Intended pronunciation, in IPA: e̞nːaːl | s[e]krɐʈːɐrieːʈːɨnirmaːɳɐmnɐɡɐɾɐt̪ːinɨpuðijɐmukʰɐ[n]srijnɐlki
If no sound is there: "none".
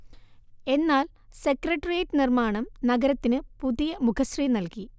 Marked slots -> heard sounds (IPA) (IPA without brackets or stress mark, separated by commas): e, none